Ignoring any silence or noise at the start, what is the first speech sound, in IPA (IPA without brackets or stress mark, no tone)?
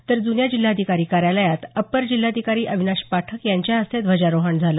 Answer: t̪